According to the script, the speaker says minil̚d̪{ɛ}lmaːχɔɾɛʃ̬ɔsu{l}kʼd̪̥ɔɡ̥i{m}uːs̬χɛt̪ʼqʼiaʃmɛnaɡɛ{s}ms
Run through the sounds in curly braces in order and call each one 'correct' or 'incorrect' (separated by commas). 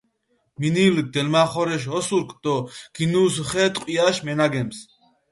correct, incorrect, incorrect, incorrect